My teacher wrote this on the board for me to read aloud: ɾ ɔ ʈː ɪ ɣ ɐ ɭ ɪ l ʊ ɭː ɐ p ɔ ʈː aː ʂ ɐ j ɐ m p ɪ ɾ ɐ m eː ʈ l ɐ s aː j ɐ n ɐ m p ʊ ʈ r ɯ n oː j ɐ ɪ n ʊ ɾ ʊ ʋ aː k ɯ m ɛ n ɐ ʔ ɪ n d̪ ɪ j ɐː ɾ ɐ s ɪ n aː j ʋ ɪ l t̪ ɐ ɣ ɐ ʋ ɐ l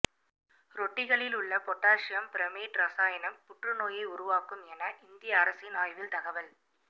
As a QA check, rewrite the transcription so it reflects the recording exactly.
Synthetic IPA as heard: ɾ ɔ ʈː ɪ ɣ ɐ ɭ ɪ l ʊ ɭː ɐ p ɔ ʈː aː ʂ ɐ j ɐ m p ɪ ɾ ɐ m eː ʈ ɾ ɐ s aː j ɐ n ɐ m p ʊ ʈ r ɯ n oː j ɐ ɪ ʊ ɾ ʊ ʋ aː k ɯ m ɛ n ɐ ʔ ɪ n d̪ ɪ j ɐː ɾ ɐ s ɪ n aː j ʋ ɪ l t̪ ɐ ɣ ɐ ʋ ɐ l